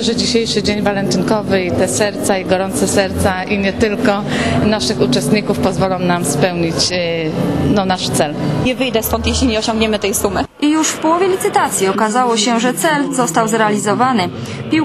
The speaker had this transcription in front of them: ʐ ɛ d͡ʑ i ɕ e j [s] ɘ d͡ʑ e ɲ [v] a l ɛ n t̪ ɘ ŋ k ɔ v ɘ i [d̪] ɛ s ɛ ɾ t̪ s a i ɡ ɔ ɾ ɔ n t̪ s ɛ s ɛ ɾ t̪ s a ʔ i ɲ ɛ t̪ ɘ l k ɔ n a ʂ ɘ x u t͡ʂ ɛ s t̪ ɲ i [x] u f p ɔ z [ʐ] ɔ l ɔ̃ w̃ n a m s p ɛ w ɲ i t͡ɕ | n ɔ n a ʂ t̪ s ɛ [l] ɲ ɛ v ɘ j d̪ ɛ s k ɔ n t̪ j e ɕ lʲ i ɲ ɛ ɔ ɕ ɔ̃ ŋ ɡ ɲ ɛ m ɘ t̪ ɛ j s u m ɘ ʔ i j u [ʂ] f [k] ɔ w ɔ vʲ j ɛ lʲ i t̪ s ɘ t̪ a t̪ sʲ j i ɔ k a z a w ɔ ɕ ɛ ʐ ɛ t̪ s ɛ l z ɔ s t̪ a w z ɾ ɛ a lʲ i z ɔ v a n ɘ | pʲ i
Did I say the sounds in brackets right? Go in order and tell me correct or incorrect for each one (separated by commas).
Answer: incorrect, correct, incorrect, incorrect, incorrect, correct, correct, incorrect